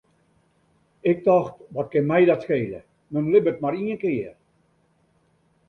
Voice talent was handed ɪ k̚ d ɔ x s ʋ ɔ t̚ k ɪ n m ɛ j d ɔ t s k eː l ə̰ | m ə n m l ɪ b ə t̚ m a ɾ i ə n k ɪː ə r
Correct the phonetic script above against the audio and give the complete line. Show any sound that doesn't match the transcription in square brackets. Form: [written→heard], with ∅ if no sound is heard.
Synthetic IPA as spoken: ɪ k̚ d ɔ x [s→t] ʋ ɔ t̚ k ɪ n m ɛ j d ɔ t s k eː l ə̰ | m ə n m l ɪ b ə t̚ m a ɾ i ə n k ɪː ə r